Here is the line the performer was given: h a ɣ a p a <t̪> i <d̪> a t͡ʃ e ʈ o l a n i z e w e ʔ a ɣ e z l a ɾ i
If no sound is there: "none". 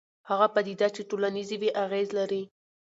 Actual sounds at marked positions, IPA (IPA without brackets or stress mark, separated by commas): d̪, d̪